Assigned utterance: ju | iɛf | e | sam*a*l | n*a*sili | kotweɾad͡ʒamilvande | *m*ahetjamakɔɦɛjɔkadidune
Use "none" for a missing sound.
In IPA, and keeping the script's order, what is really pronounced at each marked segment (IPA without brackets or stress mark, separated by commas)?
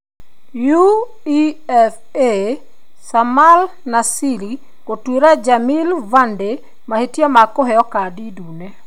a, a, m